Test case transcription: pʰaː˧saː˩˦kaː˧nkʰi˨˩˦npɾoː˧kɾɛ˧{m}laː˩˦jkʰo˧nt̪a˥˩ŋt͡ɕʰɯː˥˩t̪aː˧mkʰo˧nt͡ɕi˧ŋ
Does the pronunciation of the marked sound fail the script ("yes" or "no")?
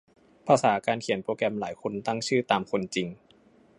no